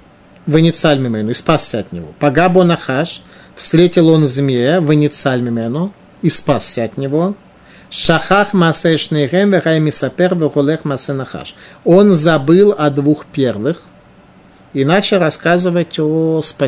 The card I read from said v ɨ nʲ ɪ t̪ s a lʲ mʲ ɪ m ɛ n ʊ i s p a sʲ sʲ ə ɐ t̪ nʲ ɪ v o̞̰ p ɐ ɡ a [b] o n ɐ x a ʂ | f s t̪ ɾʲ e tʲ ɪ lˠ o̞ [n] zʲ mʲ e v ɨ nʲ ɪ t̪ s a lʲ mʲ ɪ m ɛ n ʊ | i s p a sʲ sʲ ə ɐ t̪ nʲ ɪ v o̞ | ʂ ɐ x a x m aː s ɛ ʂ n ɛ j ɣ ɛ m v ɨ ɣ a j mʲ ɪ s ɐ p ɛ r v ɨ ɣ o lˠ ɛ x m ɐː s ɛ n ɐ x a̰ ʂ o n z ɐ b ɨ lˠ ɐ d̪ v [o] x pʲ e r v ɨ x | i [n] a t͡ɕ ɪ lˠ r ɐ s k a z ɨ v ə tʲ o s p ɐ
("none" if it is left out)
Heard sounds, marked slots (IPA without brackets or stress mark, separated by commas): b, n, u, n